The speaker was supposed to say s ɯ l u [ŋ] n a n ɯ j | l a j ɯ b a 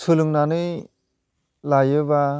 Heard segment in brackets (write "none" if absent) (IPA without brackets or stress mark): ŋ